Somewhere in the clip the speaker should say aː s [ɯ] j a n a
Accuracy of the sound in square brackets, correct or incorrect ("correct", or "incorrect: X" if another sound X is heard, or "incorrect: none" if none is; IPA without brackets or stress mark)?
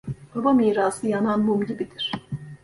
correct